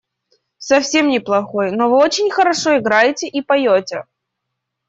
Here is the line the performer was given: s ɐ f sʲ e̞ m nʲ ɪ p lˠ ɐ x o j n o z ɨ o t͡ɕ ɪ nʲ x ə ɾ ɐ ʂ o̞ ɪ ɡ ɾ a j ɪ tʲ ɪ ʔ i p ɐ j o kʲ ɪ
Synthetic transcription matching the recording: s ɐ f sʲ e̞ m nʲ ɪ p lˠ ɐ x o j n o v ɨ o t͡ɕ ɪ nʲ x ə ɾ ɐ ʂ o̞ ɪ ɡ ɾ a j ɪ tʲ ɪ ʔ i p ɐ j o tʲ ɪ